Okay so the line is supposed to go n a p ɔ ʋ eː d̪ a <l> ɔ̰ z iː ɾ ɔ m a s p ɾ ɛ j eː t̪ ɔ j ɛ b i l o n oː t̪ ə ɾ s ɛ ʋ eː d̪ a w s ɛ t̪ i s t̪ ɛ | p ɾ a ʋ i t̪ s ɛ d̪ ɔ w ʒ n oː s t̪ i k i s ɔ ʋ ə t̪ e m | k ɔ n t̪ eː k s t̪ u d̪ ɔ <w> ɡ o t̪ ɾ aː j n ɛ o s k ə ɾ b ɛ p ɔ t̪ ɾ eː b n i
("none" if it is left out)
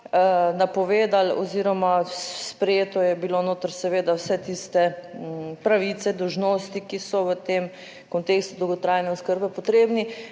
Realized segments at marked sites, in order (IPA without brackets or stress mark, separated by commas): l, w